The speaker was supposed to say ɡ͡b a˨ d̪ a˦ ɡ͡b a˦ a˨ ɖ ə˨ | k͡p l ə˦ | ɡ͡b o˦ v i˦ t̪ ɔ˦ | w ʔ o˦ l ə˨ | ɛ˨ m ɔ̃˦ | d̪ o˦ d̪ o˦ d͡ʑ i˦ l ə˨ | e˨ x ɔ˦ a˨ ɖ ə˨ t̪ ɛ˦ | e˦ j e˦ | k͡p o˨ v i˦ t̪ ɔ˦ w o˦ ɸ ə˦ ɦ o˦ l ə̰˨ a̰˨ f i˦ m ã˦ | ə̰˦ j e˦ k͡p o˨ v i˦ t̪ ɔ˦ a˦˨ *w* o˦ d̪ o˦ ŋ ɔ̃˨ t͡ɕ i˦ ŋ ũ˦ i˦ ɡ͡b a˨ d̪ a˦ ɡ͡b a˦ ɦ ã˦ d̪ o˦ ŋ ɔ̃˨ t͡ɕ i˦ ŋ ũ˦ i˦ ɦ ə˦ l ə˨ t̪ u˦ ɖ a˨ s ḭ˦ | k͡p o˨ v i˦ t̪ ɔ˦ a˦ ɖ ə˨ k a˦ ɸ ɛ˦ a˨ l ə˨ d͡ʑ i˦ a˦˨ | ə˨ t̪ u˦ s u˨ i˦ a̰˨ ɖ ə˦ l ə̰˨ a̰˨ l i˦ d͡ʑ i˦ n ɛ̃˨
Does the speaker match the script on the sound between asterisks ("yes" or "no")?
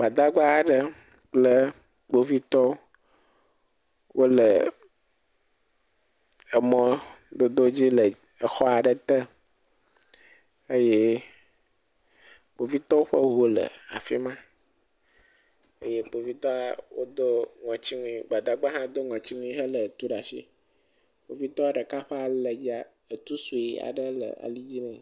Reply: yes